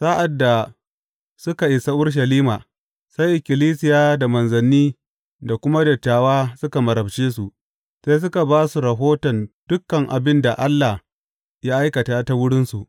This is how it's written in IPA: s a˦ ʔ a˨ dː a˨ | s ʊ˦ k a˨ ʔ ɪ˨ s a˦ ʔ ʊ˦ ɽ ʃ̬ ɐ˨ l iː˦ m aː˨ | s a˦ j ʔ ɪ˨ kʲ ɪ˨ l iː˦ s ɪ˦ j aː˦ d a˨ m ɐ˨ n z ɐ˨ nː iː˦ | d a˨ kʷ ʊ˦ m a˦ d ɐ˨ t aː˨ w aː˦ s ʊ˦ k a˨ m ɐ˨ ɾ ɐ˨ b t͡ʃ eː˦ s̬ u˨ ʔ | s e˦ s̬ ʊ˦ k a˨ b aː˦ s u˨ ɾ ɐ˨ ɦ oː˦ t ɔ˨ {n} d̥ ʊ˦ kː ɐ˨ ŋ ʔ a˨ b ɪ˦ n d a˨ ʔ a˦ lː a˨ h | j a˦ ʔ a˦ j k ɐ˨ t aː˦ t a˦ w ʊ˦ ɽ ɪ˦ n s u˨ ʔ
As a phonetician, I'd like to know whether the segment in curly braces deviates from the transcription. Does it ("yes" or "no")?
no